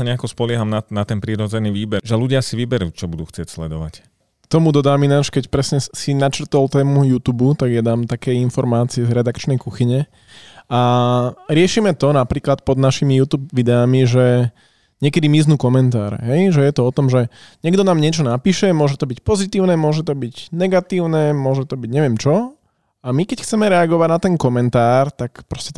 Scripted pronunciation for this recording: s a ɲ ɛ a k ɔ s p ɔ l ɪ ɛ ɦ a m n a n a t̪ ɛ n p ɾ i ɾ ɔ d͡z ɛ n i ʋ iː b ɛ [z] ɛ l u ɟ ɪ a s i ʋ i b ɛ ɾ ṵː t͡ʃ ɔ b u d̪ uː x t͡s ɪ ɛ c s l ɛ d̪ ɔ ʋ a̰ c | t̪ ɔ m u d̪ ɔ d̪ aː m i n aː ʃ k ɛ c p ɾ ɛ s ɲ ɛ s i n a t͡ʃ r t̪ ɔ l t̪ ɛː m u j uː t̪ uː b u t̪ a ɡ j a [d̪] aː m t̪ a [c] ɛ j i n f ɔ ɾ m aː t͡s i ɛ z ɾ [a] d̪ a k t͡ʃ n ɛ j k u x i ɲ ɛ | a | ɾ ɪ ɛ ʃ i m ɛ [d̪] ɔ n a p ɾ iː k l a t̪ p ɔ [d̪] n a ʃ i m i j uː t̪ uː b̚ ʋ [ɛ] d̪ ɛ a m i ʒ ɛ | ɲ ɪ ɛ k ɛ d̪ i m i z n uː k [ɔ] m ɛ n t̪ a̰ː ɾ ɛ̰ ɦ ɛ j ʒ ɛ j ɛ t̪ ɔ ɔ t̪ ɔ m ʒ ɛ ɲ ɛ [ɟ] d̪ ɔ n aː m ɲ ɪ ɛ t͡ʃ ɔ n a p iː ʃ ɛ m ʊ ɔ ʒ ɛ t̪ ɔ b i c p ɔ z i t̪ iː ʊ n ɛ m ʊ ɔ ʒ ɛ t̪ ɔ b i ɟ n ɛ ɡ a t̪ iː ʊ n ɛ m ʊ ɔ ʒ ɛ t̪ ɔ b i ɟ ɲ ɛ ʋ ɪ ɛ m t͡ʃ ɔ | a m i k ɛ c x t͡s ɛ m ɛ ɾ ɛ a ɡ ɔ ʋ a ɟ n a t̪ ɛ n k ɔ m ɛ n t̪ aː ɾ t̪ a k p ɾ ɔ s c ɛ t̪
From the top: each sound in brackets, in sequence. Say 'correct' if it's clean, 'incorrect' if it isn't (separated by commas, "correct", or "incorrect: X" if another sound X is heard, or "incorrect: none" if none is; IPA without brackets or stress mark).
incorrect: ʒ, correct, incorrect: k, incorrect: ɛ, incorrect: t̪, correct, incorrect: i, correct, incorrect: ɡ